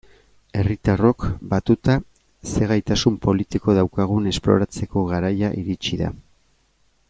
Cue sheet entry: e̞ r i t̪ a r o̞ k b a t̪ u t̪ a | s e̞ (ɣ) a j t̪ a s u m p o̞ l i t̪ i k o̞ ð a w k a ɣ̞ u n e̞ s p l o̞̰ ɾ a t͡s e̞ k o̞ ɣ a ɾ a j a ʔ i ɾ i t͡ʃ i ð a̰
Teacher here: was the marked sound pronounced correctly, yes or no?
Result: yes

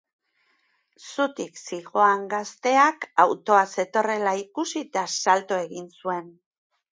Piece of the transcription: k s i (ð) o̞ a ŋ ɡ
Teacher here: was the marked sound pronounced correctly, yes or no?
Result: no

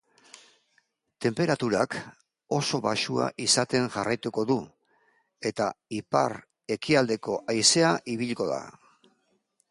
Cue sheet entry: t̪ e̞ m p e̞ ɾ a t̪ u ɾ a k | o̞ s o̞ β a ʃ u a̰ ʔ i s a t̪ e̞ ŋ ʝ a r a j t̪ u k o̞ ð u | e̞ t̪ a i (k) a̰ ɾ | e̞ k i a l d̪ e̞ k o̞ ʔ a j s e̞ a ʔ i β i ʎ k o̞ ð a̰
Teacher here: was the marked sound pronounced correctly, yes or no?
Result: no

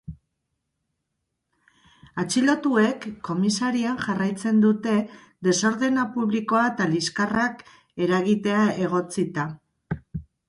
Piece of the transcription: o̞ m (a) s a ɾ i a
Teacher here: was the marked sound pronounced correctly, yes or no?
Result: no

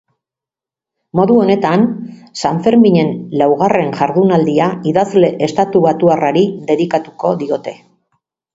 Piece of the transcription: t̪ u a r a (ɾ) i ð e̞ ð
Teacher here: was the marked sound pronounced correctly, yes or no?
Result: yes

